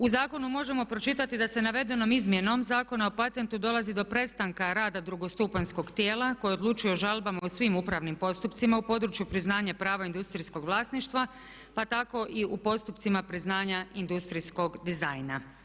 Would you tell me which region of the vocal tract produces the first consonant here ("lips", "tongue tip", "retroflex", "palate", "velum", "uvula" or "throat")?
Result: tongue tip